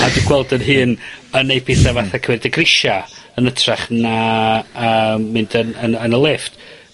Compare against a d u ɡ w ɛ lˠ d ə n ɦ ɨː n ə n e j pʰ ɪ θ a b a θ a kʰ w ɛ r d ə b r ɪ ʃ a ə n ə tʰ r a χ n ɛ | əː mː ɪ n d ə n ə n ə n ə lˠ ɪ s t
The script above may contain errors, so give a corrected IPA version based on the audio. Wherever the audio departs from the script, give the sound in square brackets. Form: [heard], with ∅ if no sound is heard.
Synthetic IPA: a d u ɡ w ɛ lˠ d ə n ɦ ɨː n ə n e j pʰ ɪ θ a [v] a θ a kʰ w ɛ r d ə [ɡ] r ɪ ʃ a ə n ə tʰ r a χ n [a] | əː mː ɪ n d ə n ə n ə n ə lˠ ɪ [f] t